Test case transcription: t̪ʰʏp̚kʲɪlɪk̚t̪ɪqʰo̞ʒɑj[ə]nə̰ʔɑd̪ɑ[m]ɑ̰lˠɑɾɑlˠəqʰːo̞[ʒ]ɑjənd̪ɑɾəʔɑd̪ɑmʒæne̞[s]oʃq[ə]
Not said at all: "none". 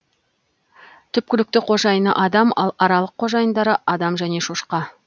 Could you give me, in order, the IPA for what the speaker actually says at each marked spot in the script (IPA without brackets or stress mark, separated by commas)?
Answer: ə, m, ʒ, ʃ, ɑ